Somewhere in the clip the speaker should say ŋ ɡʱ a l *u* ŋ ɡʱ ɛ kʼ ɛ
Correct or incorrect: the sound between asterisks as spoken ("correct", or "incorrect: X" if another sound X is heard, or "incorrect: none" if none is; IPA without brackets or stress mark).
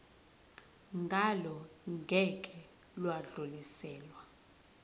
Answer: incorrect: ɔ